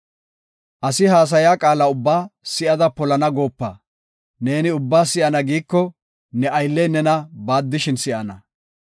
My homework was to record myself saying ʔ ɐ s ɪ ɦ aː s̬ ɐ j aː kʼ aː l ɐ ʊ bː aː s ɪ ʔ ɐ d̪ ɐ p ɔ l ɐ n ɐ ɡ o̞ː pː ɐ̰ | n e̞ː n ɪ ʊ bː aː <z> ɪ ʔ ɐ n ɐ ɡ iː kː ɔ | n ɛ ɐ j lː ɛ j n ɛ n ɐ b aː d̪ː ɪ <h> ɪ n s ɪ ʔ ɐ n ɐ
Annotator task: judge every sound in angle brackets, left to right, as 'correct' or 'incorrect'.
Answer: incorrect, incorrect

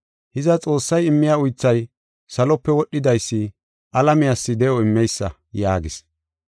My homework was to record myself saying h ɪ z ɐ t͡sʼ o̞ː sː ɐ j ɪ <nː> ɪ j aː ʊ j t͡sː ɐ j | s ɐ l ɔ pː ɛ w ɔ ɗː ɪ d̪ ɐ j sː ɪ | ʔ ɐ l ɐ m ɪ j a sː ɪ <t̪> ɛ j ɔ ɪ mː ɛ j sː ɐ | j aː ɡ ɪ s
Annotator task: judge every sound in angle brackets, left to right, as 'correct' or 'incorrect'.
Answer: incorrect, incorrect

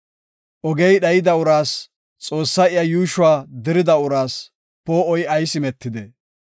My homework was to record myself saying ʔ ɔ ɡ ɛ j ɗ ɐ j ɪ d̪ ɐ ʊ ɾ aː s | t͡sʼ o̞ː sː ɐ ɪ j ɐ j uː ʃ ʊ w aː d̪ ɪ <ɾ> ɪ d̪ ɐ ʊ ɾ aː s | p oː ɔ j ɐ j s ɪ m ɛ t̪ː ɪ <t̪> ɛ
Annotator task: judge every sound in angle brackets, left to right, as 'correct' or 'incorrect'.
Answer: correct, incorrect

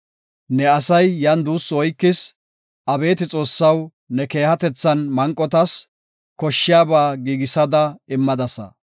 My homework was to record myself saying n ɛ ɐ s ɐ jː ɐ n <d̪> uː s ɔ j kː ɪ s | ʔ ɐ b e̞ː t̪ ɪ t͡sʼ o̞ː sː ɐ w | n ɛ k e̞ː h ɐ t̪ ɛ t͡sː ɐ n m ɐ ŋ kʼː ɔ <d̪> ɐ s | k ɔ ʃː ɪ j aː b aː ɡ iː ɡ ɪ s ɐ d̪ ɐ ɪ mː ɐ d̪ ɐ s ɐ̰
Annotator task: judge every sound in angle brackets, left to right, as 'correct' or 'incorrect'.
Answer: correct, incorrect

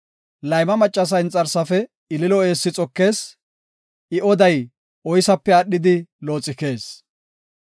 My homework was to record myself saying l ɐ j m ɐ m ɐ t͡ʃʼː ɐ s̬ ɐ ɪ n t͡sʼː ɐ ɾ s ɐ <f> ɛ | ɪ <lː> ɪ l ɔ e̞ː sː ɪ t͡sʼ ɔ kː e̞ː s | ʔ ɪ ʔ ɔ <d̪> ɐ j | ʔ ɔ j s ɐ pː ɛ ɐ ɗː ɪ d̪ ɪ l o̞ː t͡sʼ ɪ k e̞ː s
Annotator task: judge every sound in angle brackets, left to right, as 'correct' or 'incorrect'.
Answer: correct, incorrect, correct

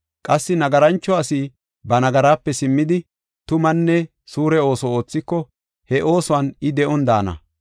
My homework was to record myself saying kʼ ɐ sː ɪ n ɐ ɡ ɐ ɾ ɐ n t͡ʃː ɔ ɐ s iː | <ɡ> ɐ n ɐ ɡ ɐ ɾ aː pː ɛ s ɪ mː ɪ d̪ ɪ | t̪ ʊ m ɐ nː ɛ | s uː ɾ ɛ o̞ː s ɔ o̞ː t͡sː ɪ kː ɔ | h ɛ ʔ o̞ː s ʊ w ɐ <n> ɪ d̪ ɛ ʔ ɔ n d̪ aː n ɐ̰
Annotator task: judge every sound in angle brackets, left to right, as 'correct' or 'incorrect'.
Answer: incorrect, correct

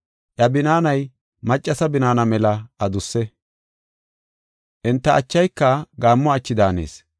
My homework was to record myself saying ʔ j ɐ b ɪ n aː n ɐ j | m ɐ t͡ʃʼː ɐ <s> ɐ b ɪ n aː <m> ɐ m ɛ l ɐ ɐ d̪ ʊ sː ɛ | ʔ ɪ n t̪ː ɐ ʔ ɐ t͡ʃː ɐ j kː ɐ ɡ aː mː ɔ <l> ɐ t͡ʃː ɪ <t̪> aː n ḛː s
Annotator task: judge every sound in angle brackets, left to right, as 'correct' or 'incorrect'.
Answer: correct, incorrect, incorrect, incorrect

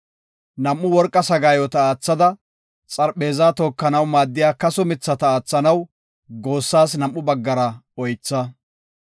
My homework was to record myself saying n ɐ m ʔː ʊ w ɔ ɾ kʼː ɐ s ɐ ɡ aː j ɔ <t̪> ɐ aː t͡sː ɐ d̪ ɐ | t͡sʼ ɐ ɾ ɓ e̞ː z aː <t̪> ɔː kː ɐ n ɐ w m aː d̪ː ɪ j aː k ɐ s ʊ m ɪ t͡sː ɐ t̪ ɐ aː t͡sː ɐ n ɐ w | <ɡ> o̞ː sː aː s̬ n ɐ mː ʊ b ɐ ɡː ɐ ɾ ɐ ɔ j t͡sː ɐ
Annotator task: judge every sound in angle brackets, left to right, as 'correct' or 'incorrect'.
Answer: correct, correct, correct

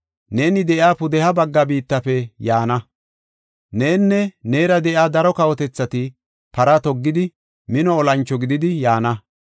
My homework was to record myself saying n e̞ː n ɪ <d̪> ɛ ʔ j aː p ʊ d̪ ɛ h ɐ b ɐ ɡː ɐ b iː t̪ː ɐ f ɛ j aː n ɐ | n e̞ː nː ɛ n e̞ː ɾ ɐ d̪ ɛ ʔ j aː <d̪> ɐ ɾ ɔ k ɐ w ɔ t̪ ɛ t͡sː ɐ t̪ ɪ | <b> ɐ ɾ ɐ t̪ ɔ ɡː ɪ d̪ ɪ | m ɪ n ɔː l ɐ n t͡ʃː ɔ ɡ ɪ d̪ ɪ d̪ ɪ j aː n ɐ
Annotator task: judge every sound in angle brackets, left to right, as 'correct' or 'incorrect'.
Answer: correct, correct, incorrect

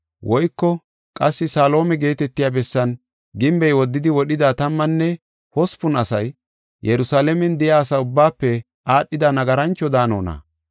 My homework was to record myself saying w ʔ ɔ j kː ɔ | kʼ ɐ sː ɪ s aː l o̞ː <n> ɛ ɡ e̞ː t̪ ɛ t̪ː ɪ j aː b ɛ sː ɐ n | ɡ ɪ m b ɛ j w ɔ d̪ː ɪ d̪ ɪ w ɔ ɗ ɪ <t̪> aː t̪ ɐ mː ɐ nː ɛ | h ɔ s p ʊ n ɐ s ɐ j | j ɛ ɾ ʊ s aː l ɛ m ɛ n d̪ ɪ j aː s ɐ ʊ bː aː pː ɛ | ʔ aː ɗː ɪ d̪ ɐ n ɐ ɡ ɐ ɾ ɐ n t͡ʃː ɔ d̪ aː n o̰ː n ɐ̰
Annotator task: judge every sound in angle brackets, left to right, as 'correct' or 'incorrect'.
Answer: incorrect, incorrect

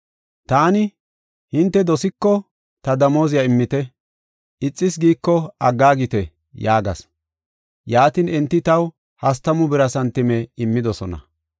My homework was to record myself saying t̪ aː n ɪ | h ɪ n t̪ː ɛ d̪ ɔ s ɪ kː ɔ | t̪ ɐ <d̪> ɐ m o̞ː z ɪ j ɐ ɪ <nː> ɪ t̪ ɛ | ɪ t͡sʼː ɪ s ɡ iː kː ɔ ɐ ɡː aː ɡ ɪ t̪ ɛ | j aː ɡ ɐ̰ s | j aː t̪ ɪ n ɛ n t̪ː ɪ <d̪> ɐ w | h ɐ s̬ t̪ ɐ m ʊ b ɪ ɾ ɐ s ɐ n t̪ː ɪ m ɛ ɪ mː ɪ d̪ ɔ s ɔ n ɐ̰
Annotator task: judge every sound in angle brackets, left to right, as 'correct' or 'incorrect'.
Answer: correct, incorrect, incorrect

